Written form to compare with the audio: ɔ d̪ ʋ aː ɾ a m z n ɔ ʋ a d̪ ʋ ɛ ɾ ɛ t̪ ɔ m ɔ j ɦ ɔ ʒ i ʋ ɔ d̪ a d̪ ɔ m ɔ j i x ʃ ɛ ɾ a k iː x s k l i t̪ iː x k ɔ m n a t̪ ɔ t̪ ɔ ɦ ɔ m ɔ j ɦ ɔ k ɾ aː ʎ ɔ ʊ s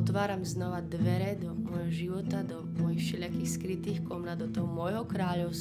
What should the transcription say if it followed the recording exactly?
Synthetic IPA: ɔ t̪ ʋ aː ɾ a m z n ɔ ʋ a d̪ ʋ ɛ ɾ ɛ d̪ ɔ m ɔ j ɦ ɔ ʒ i ʋ ɔ t̪ a d̪ ɔ m ɔ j i x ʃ ɛ ʎ a k iː x s k ɾ i t̪ iː x k ɔ m n a d̪ ɔ t̪ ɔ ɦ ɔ m ɔ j ɦ ɔ k ɾ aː ʎ ɔ ʊ s